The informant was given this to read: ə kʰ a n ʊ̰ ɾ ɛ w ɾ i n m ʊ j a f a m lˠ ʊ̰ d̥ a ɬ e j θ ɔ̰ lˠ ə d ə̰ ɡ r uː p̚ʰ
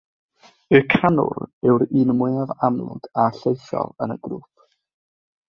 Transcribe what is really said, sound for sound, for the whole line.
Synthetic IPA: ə kʰ a n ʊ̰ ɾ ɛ w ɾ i n m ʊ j a v a m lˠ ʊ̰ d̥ a ɬ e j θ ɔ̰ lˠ ə n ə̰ ɡ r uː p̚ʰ